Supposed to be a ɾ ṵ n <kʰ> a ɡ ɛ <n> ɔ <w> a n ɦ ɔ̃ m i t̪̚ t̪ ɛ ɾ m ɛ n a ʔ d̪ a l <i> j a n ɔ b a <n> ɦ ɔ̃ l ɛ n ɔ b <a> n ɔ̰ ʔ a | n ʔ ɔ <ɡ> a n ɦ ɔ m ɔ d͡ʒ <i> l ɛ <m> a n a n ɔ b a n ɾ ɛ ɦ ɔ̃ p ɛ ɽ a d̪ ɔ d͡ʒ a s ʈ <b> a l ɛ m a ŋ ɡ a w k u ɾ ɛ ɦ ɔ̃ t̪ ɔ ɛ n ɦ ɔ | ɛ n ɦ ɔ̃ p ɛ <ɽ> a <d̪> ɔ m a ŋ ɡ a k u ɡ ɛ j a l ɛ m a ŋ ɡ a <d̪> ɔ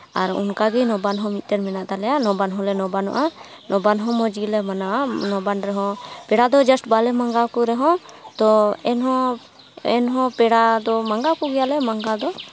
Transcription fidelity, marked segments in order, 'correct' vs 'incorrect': incorrect: k, correct, incorrect: b, incorrect: ɛ, correct, correct, incorrect: b, correct, correct, correct, correct, correct, correct

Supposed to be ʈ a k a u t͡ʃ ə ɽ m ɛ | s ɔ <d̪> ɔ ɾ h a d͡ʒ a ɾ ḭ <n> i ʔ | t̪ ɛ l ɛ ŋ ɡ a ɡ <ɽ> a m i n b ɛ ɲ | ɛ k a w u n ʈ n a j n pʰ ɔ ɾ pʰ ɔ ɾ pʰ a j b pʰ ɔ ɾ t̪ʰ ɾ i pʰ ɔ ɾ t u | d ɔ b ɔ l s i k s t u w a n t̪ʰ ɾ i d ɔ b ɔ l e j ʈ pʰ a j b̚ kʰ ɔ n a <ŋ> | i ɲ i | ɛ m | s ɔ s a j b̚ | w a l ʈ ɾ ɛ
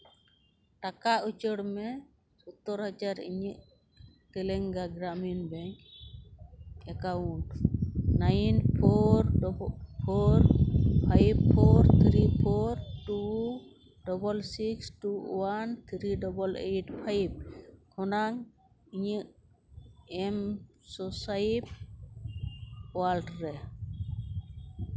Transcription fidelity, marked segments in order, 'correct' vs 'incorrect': incorrect: t̪, incorrect: ɲ, incorrect: ɾ, correct

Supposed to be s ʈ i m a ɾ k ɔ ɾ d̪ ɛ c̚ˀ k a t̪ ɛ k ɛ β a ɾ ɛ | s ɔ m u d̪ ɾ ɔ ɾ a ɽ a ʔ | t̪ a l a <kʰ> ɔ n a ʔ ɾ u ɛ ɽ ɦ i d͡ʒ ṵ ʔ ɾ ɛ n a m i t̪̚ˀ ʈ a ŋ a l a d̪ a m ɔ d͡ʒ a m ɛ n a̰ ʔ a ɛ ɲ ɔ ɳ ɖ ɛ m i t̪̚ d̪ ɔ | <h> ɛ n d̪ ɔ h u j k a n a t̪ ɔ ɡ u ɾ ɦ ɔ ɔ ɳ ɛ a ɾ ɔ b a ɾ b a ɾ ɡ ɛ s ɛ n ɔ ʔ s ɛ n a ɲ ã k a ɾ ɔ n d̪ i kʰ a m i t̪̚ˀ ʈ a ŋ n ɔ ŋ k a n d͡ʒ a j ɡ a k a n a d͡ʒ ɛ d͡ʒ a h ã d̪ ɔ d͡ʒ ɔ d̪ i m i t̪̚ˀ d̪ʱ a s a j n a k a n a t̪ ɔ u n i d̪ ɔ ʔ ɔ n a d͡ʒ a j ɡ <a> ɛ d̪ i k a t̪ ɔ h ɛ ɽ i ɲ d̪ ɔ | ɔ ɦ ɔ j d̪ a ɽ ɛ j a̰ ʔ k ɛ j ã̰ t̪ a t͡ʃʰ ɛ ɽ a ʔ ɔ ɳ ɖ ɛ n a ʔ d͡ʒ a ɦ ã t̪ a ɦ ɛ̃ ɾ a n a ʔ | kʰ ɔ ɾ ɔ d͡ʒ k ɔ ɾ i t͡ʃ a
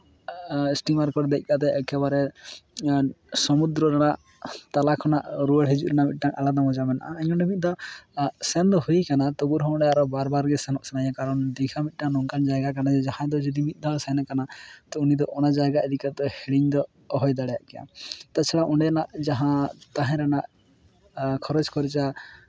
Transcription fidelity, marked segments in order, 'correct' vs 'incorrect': correct, incorrect: s, correct

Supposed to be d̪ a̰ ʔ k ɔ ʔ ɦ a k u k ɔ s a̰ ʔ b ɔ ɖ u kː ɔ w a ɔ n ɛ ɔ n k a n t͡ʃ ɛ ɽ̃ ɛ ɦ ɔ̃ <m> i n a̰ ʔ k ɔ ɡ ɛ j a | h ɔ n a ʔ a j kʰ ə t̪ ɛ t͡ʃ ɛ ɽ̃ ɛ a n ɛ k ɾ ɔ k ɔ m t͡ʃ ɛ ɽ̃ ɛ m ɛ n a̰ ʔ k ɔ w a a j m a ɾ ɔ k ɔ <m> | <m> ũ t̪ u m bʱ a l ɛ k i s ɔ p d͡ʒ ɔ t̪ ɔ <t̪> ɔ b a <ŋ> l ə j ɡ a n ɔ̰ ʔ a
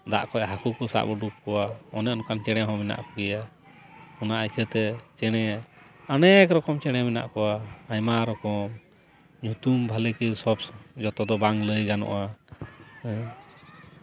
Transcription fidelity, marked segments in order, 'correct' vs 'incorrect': correct, correct, incorrect: ɲ, incorrect: d̪, correct

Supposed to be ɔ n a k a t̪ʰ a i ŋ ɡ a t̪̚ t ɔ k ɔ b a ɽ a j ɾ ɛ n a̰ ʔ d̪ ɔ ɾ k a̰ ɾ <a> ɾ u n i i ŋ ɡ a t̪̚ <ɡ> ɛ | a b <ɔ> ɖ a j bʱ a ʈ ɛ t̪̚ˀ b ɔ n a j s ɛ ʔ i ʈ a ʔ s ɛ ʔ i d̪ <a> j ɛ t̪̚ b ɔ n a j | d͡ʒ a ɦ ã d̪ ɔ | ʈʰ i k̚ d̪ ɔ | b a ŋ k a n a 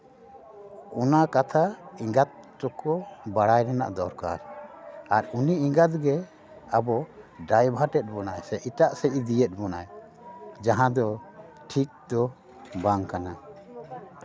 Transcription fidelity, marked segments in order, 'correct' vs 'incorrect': correct, correct, correct, incorrect: i

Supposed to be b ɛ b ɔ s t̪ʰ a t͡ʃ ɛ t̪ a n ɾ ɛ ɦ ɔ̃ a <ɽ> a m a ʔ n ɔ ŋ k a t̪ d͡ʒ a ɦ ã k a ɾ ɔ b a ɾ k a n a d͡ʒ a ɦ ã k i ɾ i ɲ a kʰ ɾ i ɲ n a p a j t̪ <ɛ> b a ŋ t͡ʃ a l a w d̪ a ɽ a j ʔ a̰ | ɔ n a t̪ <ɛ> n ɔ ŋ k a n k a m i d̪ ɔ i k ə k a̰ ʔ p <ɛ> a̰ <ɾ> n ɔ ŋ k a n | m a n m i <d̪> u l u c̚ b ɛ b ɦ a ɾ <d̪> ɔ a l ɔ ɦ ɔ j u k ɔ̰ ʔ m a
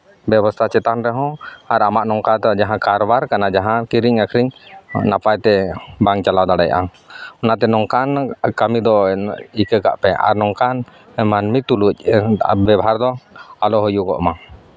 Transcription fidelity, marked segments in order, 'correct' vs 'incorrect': incorrect: ɾ, correct, correct, correct, correct, incorrect: t̪, correct

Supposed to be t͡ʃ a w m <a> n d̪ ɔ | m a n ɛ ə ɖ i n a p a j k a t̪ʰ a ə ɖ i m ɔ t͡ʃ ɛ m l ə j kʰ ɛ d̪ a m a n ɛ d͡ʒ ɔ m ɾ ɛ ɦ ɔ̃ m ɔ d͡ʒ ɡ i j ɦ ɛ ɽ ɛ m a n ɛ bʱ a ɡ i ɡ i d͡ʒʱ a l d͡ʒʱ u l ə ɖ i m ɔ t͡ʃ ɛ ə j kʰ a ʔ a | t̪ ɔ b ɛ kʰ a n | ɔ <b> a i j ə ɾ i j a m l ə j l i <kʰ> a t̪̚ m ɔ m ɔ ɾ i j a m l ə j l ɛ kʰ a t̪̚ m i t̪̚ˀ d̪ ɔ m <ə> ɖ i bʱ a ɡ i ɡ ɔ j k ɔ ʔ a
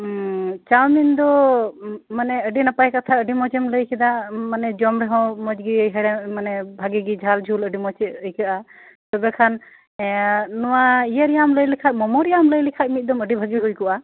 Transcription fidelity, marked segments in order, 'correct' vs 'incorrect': incorrect: i, incorrect: w, correct, correct

